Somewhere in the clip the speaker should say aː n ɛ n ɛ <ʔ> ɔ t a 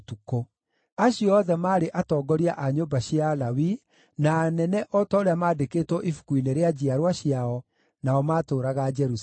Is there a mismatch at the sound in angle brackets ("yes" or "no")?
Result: no